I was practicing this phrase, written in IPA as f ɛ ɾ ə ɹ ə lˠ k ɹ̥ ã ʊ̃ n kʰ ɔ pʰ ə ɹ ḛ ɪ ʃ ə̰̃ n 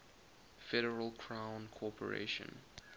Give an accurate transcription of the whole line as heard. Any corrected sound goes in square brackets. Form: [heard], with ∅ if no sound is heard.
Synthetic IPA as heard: f ɛ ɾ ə ɹ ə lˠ [kʰ] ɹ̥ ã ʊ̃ n kʰ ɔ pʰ ə ɹ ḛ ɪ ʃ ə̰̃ n